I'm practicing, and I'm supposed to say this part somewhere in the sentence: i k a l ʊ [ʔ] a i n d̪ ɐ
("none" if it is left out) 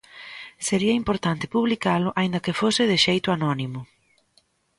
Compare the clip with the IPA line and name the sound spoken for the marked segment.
ʔ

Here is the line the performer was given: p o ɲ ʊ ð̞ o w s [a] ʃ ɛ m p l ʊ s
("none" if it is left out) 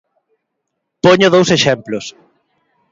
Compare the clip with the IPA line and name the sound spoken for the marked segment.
e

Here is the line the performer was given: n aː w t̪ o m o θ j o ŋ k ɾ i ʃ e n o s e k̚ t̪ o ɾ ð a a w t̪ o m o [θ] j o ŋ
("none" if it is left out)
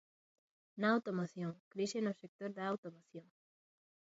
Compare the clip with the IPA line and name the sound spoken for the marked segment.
θ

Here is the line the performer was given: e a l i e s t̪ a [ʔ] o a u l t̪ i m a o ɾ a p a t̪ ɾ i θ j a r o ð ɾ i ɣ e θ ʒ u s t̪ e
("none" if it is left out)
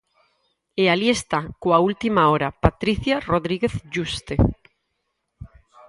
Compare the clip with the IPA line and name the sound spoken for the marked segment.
k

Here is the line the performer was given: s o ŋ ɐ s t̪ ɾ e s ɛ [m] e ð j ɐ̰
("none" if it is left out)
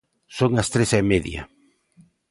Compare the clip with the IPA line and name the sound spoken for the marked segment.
m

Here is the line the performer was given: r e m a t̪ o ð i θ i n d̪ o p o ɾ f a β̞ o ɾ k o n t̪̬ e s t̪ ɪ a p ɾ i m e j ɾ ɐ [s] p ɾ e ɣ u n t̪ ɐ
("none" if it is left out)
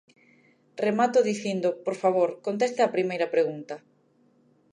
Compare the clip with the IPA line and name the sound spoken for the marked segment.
none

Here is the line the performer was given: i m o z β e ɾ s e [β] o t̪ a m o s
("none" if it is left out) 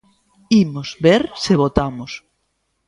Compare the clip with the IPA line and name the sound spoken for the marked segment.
β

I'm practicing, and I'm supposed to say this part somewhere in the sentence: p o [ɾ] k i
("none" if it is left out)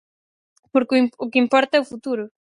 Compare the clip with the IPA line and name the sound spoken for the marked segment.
ɾ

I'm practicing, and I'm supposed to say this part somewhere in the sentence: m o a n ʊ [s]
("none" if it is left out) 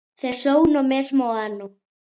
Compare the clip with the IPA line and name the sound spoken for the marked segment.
none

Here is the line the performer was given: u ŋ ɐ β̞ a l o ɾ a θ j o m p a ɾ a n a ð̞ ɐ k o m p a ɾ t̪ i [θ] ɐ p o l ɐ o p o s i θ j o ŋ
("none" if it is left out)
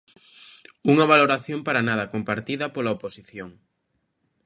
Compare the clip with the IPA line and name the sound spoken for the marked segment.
ð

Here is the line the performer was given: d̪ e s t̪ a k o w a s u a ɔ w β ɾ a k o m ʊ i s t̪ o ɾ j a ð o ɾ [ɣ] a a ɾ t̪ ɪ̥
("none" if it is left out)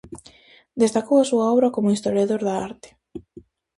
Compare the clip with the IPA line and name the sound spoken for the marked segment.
ð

